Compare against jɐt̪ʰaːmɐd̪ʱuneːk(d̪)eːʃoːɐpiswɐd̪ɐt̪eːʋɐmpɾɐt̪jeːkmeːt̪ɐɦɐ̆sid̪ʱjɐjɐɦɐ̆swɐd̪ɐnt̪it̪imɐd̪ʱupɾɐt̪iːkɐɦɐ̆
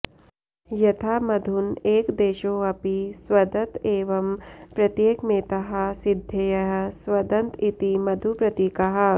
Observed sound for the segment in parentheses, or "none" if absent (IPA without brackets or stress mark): d̪